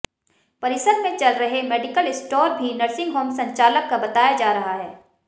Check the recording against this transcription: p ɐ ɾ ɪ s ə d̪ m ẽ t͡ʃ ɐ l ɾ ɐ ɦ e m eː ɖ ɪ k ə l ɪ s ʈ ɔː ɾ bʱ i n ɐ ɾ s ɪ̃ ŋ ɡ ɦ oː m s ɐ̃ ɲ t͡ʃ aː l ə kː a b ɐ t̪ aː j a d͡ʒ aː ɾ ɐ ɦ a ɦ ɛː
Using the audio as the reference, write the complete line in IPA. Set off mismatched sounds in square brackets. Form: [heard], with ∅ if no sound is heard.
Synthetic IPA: p ɐ ɾ ɪ s ə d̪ m ẽ t͡ʃ ɐ l ɾ ɐ ɦ e m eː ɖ ɪ k ə l ɪ s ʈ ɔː ɾ bʱ i n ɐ ɾ s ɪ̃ ŋ ɡ ɦ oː m s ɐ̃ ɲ t͡ʃ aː l ə kː a b ɐ t̪ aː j a d͡ʒ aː ɾ ɐ ɦ a ɦ ɛː

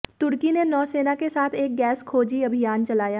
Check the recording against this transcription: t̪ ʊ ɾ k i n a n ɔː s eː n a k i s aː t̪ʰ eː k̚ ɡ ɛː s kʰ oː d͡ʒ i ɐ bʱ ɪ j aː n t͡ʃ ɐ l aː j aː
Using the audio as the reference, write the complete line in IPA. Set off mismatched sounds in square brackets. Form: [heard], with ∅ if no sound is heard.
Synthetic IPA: t̪ ʊ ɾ k i n [e] n ɔː s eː n a k [e] s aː t̪ʰ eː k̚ ɡ ɛː s kʰ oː d͡ʒ i ɐ bʱ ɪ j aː n t͡ʃ ɐ l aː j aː

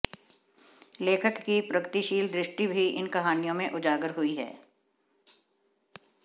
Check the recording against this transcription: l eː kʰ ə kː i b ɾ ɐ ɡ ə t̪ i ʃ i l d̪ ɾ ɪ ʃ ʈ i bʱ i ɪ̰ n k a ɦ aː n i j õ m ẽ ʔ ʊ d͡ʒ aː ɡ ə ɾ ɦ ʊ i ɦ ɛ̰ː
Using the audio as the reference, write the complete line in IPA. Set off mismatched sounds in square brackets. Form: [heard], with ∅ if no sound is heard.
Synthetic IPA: l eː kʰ ə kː i [p] ɾ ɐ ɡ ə t̪ i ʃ [iː] l d̪ ɾ ɪ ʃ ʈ i bʱ i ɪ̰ n k [ɐ] ɦ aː n i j õ m ẽ ʔ ʊ d͡ʒ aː ɡ ə ɾ ɦ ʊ i ɦ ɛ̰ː

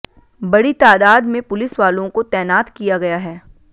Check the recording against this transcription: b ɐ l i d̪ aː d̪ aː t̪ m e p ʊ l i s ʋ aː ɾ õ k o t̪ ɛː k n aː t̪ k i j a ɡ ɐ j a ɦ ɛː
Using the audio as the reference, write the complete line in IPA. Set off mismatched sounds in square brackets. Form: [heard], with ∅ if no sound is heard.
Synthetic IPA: b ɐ [ɽ] i [t̪] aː d̪ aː [d̪] m [ẽ] p ʊ l [ɪ] s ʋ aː [l] õ k o t̪ ɛː [∅] n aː t̪ k i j a ɡ ɐ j a ɦ ɛː

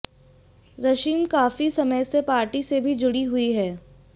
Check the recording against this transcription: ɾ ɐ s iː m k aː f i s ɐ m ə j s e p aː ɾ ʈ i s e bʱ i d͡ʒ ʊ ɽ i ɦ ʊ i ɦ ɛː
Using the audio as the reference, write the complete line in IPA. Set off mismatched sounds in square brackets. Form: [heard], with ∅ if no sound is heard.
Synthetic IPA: ɾ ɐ [ʃ] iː m k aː f i s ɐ m ə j s e p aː ɾ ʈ i s e bʱ i d͡ʒ ʊ ɽ i ɦ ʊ i ɦ ɛː

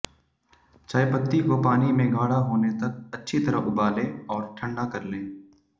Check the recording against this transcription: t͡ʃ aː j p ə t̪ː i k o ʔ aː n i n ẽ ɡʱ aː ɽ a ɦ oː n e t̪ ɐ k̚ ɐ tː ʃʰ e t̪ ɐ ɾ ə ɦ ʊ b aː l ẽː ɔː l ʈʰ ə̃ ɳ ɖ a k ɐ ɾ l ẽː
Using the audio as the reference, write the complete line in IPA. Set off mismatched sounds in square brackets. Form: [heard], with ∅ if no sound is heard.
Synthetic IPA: t͡ʃ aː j p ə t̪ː i k o [p] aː n i [m] ẽ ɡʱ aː ɽ a ɦ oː n e t̪ ɐ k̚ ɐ tː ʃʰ [i] t̪ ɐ ɾ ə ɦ ʊ b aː l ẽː ɔː [ɾ] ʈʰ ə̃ ɳ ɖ a k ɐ ɾ l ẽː

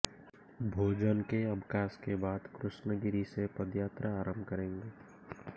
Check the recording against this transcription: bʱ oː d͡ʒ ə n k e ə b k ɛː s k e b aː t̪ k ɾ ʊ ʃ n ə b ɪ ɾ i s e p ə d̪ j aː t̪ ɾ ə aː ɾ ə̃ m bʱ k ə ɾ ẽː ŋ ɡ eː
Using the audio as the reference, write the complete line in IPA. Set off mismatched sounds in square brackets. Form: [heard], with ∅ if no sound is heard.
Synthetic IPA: bʱ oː d͡ʒ ə n k e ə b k [aː] s k e b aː [d̪] k ɾ ʊ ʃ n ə [ɡ] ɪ ɾ i s e p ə d̪ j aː t̪ ɾ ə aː ɾ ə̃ m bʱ k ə ɾ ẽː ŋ ɡ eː

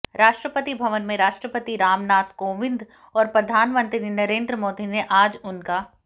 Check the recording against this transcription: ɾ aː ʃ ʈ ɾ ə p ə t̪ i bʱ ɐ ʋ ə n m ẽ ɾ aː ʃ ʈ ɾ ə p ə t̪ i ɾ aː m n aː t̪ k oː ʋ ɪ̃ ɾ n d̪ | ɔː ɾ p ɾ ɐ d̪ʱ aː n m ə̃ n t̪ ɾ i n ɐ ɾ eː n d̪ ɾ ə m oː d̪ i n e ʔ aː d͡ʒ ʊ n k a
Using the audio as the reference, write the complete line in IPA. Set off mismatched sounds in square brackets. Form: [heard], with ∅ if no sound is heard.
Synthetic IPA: ɾ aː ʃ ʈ ɾ ə p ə t̪ i bʱ ɐ ʋ ə n m ẽ ɾ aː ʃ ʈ ɾ ə p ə t̪ i ɾ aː m n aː t̪ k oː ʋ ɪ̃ [∅] n d̪ | ɔː ɾ p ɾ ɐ d̪ʱ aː n m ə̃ n t̪ ɾ i n ɐ ɾ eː n d̪ ɾ ə m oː d̪ i n e ʔ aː d͡ʒ ʊ n k a

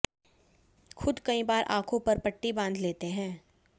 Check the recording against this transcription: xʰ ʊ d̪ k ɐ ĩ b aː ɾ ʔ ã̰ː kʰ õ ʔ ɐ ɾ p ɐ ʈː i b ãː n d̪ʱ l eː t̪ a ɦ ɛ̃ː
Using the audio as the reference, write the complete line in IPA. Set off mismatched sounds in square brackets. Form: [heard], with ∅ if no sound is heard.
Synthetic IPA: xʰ ʊ d̪ k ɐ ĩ b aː ɾ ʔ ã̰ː kʰ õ [p] ɐ ɾ p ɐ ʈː i b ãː n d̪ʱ l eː t̪ [e] ɦ ɛ̃ː

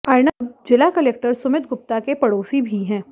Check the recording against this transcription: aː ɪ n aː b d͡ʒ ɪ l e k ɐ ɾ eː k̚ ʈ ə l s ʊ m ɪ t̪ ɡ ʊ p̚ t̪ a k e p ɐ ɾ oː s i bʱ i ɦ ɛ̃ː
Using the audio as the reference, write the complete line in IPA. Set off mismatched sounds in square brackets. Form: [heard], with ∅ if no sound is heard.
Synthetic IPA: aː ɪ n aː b d͡ʒ ɪ l [a] k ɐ [l] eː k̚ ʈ ə [ɾ] s ʊ m ɪ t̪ ɡ ʊ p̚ t̪ a k e p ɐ [ɽ] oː s i bʱ i ɦ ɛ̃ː

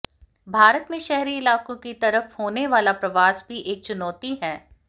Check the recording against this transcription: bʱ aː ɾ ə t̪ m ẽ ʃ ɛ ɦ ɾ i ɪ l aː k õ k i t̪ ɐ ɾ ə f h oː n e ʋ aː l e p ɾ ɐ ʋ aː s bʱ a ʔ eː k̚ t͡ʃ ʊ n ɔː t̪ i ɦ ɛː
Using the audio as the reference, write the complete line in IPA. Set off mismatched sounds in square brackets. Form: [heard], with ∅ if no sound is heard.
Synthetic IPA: bʱ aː ɾ ə t̪ m ẽ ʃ ɛ ɦ ɾ i ɪ l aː k õ k i t̪ ɐ ɾ ə f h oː n e ʋ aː l [a] p ɾ ɐ ʋ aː s bʱ [i] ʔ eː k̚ t͡ʃ ʊ n ɔː t̪ i ɦ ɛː

